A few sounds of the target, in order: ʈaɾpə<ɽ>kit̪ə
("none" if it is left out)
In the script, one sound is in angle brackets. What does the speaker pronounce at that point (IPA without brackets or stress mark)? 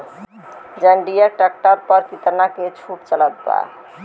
ɾ